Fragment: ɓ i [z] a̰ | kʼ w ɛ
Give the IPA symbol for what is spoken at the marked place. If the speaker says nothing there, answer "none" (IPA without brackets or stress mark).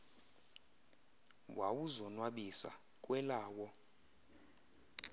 s